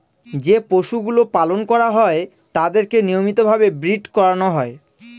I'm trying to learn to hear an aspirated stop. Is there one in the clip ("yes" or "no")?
no